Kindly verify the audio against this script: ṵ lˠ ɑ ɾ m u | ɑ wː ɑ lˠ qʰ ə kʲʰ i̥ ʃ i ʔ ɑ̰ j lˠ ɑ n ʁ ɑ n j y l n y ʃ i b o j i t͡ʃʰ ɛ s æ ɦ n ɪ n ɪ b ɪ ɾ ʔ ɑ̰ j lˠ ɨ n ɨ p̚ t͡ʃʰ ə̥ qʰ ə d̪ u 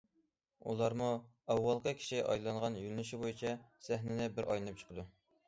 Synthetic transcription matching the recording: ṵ lˠ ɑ ɾ m u | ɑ wː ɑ lˠ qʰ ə kʲʰ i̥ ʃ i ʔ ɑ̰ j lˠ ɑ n ʁ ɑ n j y l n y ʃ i b o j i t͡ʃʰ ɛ s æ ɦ n ɪ n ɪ b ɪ ɾ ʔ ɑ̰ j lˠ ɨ n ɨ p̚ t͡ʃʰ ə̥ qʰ ə d̪ u